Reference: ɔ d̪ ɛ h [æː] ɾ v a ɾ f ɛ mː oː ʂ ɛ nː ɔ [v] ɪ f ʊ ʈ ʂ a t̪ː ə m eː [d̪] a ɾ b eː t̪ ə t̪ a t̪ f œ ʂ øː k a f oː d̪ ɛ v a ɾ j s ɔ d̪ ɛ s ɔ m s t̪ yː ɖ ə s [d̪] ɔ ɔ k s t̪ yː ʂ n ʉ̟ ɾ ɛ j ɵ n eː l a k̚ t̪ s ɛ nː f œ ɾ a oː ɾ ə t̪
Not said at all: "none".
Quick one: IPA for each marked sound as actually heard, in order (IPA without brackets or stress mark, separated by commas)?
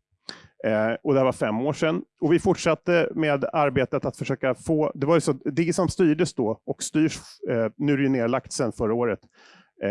æ, v, d̪, d̪